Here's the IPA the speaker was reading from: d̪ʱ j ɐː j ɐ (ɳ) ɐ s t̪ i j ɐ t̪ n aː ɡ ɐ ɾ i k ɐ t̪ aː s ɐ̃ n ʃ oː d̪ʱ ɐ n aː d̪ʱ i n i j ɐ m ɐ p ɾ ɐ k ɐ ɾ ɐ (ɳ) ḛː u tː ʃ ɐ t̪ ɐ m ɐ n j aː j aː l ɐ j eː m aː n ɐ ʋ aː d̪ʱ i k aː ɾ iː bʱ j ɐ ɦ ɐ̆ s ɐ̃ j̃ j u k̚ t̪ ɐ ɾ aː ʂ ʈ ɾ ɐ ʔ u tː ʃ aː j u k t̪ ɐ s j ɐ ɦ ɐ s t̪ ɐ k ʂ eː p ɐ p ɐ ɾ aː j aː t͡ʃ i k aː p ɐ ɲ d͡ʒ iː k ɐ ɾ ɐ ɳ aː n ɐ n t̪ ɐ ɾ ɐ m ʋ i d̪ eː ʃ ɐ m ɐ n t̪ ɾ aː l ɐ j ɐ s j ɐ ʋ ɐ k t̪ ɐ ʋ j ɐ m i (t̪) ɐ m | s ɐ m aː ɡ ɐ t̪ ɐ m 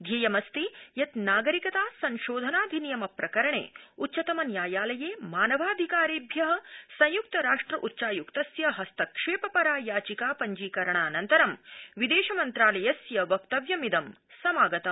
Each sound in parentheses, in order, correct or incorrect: incorrect, correct, incorrect

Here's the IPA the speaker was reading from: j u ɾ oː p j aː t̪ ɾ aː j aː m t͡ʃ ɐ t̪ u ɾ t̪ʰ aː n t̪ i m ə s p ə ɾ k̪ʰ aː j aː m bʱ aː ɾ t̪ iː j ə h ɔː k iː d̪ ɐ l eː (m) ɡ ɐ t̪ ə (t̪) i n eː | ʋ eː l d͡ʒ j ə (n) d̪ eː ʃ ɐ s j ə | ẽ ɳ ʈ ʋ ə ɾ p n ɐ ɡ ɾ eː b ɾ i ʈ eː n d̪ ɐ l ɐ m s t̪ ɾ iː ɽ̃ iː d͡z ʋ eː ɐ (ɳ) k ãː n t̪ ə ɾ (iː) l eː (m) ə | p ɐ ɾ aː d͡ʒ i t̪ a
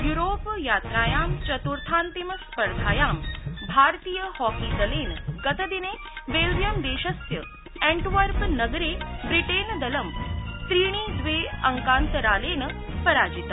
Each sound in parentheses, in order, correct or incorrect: incorrect, incorrect, incorrect, incorrect, incorrect, incorrect

